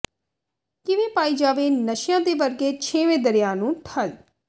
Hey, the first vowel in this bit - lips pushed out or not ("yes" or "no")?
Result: no